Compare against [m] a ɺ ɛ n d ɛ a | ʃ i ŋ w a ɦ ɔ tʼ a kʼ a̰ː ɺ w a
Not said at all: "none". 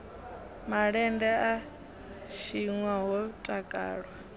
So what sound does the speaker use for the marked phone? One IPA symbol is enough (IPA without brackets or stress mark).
m